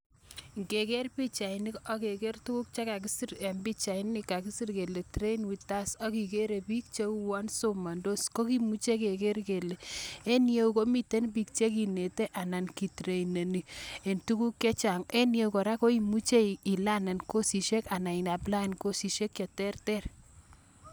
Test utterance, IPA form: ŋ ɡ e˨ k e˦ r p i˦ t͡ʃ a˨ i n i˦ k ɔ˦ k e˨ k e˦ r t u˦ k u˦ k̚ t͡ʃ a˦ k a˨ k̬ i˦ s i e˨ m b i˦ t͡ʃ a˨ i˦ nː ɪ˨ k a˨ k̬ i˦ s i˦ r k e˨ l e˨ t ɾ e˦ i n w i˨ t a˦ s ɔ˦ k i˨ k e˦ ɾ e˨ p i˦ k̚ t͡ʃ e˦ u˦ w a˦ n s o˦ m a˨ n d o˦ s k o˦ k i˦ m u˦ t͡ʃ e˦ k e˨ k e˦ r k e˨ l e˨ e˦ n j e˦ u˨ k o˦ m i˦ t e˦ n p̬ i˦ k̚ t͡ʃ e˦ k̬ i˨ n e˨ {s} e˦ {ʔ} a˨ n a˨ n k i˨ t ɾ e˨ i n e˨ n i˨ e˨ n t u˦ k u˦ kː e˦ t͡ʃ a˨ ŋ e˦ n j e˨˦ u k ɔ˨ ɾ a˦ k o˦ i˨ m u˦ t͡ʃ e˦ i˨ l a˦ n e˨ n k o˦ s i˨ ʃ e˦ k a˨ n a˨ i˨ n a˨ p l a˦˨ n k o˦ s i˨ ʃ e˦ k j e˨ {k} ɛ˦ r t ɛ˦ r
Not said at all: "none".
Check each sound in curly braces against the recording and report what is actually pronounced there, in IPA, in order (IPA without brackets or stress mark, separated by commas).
t, ʔ, t